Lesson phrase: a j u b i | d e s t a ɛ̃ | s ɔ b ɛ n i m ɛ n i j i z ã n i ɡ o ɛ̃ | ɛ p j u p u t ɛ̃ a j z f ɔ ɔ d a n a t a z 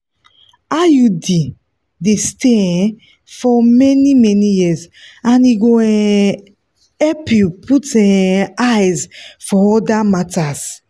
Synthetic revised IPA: a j u d i | d e s t e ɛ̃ | f ɔ m ɛ n i m ɛ n i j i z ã n i ɡ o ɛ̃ | ɛ p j u p u t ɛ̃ a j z f ɔ ɔ d a m a t a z